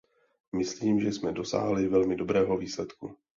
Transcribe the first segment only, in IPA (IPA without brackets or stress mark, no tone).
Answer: m